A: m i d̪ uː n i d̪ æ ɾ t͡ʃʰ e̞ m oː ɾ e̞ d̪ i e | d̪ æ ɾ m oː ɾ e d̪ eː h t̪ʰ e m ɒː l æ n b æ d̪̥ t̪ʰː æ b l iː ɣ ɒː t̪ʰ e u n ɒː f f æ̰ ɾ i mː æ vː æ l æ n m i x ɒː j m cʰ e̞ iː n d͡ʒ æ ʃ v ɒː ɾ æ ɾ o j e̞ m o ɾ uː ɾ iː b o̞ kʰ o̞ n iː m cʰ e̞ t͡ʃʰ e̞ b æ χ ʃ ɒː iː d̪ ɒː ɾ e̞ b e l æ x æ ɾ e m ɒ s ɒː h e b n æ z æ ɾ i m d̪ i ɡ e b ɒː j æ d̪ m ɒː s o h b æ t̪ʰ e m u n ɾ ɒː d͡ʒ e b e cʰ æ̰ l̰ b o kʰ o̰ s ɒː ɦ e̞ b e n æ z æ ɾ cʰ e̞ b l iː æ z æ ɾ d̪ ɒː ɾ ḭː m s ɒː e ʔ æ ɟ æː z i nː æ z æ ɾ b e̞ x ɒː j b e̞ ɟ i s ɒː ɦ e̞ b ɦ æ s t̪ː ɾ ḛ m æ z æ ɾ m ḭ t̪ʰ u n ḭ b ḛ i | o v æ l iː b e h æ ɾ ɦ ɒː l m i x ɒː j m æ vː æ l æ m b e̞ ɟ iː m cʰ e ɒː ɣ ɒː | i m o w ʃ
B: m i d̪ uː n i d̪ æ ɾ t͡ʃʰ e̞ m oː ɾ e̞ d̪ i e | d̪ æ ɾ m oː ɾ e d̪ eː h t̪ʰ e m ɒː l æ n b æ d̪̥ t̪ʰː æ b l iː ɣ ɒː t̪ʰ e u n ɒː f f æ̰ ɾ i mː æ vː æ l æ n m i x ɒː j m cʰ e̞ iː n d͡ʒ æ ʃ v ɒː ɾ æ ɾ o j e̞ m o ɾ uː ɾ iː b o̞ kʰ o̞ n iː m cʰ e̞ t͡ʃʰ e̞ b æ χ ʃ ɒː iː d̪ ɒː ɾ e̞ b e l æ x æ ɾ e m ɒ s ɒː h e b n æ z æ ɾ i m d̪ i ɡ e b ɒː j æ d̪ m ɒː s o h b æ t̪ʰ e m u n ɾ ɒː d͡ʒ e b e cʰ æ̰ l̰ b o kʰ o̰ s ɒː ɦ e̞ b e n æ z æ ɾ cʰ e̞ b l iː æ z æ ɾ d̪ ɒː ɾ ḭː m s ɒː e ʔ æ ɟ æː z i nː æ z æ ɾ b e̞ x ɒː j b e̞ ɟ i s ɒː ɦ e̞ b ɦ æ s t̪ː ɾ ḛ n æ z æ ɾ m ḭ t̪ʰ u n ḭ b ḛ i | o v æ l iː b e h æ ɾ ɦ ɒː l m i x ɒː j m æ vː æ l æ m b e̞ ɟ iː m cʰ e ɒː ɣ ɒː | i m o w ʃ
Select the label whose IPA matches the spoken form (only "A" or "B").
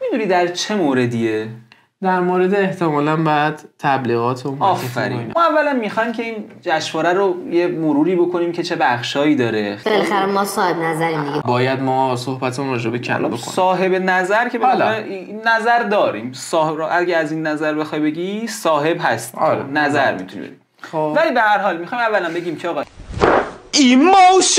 B